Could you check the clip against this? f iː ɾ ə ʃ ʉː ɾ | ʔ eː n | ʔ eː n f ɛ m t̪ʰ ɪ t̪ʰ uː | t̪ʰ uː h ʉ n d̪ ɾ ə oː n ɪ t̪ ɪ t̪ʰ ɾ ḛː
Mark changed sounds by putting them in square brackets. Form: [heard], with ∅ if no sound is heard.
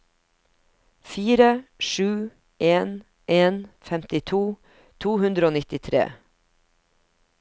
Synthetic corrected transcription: f iː ɾ ə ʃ ʉː [∅] | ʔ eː n | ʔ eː n f ɛ m [t̪] ɪ t̪ʰ uː | t̪ʰ uː h ʉ n d̪ ɾ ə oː n ɪ t̪ ɪ t̪ʰ ɾ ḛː